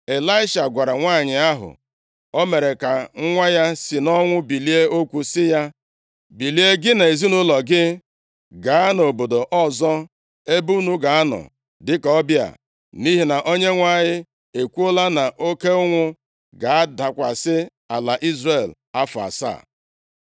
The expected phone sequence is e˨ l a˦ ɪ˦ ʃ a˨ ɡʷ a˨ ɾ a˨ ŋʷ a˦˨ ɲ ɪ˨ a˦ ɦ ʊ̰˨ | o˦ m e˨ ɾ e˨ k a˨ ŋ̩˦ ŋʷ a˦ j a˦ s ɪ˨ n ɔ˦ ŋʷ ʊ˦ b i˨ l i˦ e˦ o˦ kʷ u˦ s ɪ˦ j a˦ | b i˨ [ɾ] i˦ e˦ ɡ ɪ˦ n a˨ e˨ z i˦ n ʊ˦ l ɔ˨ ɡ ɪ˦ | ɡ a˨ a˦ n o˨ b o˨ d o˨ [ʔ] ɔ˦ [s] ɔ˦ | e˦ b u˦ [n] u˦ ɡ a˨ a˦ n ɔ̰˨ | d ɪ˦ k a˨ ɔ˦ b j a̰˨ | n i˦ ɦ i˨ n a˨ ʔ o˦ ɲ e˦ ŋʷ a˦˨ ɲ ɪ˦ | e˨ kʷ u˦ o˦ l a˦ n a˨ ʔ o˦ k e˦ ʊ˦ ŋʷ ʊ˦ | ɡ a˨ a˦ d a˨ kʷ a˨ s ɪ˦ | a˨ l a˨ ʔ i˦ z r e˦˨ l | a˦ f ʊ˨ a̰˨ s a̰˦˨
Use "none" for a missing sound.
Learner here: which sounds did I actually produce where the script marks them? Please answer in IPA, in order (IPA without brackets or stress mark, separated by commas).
l, ʔ, z, n